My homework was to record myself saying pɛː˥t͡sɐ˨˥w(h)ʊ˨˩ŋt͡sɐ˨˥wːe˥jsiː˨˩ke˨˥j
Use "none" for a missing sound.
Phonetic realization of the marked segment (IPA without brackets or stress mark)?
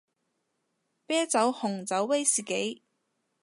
h